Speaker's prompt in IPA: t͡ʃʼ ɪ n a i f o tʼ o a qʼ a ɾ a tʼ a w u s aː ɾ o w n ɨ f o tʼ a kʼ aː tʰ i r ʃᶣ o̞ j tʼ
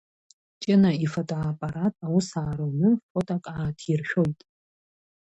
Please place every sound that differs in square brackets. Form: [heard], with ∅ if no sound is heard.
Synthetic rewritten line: t͡ʃʼ ɪ n a i f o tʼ o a [pʼ] a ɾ a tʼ a w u s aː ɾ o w n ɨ f o tʼ a kʼ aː tʰ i r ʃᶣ o̞ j tʼ